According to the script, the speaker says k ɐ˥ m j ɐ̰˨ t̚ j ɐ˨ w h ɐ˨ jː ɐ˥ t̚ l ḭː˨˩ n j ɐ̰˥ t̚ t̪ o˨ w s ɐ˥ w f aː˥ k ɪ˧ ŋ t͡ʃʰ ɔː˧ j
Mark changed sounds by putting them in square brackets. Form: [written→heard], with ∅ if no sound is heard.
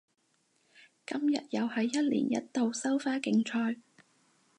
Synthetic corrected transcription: k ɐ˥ m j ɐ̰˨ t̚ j ɐ˨ w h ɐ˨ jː ɐ˥ t̚ l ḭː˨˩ n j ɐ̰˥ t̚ t̪ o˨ w s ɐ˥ w f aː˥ k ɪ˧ ŋ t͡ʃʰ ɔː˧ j